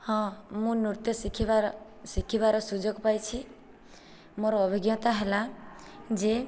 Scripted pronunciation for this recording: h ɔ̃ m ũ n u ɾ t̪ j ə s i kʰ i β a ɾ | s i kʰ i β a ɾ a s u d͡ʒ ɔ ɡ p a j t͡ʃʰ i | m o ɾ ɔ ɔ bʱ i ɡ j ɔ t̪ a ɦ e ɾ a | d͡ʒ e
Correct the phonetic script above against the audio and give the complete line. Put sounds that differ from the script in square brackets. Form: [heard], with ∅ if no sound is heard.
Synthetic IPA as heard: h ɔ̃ m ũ n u ɾ t̪ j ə s i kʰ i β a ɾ | s i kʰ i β a ɾ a s u d͡ʒ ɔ ɡ p a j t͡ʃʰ i | m o ɾ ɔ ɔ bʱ i ɡ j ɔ t̪ a ɦ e [l] a | d͡ʒ e

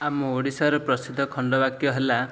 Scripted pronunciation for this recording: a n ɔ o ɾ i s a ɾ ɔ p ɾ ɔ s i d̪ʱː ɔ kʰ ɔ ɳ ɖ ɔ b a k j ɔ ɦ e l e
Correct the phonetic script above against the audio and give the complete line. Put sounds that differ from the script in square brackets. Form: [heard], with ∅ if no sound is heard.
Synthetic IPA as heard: a [m] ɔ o [ɽ] i s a ɾ ɔ p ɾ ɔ s i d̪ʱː ɔ kʰ ɔ ɳ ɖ ɔ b a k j ɔ ɦ e l [a]

